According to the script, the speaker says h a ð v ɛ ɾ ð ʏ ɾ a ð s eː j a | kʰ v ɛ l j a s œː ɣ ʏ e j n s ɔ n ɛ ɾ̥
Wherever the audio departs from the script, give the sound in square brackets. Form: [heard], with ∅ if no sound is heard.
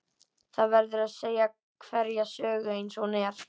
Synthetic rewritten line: [θ] a ð v ɛ ɾ ð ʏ ɾ a ð s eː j a | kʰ v ɛ [ɾ] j a s œː ɣ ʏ e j n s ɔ n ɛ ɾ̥